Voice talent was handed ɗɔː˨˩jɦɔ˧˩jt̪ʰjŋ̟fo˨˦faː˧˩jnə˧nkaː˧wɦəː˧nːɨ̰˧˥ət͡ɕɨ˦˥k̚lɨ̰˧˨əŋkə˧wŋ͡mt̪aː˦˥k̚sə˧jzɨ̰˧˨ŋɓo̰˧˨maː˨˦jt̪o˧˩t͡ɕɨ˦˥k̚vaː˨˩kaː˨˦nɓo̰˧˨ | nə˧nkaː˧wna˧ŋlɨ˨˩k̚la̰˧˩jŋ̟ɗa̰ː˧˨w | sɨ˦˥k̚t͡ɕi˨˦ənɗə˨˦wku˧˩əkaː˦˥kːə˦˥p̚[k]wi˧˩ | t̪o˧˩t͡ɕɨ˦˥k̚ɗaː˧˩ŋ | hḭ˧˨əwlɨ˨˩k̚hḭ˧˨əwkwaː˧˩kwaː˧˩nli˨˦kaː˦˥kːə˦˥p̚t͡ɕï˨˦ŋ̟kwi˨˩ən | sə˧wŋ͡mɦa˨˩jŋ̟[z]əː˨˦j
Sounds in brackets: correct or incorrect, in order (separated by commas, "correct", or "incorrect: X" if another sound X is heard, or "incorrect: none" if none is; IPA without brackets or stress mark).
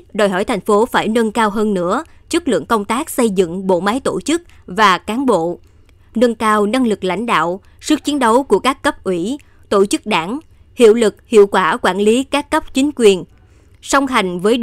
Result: incorrect: ʔ, incorrect: v